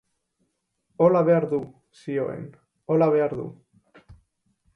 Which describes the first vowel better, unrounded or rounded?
rounded